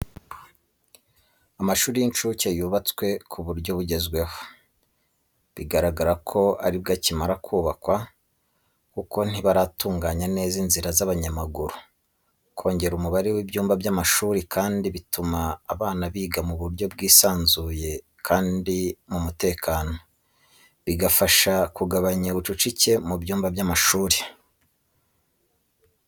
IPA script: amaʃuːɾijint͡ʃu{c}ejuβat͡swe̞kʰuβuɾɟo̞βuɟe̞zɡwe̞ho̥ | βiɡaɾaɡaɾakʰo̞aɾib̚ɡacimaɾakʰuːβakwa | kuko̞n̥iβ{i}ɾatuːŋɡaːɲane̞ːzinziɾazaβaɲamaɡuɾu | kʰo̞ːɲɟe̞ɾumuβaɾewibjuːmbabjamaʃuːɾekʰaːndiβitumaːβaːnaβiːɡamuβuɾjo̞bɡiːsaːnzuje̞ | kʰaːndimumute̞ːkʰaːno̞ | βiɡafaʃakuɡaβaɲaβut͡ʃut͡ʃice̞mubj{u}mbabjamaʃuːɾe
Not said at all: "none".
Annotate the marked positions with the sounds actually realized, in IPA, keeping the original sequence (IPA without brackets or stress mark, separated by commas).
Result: c, a, uː